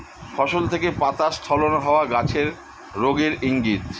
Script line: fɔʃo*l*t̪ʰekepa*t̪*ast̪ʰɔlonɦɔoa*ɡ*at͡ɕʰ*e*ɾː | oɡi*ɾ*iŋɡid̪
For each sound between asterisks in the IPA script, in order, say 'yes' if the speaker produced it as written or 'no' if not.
yes, yes, yes, yes, yes

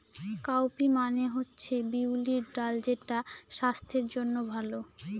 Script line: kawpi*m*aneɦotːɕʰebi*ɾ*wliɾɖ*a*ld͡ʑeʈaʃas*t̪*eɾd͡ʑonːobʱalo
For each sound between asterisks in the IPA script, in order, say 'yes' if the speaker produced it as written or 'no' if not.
yes, no, yes, no

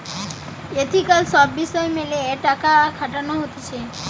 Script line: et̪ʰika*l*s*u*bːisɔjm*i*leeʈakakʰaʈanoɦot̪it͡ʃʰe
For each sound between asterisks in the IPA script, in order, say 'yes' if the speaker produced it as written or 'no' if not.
yes, no, no

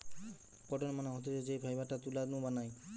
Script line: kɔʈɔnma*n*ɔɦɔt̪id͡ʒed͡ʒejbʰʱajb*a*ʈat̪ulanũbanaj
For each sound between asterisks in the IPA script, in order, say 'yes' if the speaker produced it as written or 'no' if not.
yes, yes

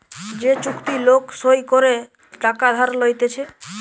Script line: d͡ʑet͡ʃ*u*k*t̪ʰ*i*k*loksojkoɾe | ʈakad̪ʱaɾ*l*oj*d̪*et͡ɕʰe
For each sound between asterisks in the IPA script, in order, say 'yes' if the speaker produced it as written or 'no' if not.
yes, no, no, yes, no

